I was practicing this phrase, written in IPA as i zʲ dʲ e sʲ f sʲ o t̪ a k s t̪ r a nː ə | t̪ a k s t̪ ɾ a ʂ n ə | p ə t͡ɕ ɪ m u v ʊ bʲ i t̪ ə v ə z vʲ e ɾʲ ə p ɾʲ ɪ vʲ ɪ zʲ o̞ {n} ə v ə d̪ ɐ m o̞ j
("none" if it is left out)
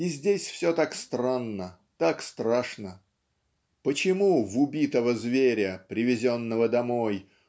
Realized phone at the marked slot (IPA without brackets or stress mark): nː